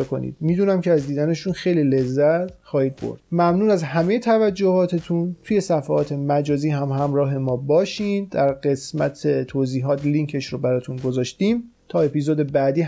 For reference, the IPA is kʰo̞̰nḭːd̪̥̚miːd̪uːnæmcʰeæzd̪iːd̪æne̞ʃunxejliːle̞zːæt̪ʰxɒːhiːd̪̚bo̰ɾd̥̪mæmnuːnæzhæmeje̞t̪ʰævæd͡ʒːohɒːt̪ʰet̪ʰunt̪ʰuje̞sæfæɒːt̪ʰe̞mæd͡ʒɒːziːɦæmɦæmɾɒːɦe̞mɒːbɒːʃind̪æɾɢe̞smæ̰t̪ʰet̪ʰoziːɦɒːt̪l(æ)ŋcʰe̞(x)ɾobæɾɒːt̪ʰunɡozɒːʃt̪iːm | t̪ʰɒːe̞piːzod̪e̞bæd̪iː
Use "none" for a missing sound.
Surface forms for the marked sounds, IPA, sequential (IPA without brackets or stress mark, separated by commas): i, ʃ